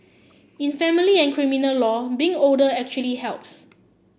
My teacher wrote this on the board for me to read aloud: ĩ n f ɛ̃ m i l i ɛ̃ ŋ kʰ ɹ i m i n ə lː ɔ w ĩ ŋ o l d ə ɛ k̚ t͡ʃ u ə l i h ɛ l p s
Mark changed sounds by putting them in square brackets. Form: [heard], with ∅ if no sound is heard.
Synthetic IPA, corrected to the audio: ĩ n f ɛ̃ m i l i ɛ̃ [n] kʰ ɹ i m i n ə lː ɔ [b] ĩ ŋ o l d ə ɛ k̚ t͡ʃ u ə l i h ɛ l p s